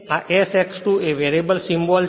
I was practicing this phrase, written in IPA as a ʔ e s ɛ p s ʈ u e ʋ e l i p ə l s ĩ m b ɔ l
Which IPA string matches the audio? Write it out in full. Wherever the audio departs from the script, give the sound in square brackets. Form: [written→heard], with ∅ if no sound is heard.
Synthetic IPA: a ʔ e s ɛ [p→k] s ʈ u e ʋ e [l→ɾ] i [p→b] ə l s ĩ m b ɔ l